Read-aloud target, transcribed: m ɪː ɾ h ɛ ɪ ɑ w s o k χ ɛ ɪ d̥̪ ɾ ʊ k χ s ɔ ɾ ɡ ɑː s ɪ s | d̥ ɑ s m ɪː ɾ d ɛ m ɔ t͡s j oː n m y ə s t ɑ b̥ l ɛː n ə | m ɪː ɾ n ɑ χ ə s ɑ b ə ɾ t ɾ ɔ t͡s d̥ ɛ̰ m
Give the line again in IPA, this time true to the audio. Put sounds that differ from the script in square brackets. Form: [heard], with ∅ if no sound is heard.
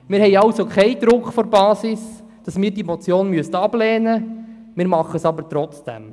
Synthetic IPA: m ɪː ɾ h ɛ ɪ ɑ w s o k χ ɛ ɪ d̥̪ ɾ ʊ k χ [f] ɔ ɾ [b] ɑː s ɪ s | d̥ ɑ s m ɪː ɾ d [i] m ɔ t͡s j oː n m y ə s t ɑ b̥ l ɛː n ə | m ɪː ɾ [m] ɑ χ ə s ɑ b ə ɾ t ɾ ɔ t͡s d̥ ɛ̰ m